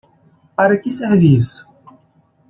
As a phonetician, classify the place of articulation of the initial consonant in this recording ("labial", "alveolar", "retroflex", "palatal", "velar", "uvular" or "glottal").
labial